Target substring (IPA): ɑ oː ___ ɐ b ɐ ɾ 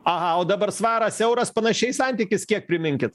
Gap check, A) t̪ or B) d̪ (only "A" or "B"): B